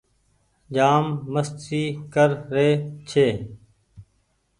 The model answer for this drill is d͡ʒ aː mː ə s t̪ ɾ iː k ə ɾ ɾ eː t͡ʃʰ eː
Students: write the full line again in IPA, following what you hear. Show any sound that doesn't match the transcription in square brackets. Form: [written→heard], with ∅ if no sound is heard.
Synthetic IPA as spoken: d͡ʒ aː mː ə s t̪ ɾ iː k ə ɾ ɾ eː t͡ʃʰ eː